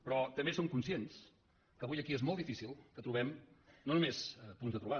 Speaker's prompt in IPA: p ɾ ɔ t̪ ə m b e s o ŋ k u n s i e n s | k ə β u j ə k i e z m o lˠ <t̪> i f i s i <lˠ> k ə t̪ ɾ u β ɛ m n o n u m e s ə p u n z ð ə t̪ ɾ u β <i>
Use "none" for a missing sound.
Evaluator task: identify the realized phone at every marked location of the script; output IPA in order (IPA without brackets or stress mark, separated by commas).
d̪, lˠ, a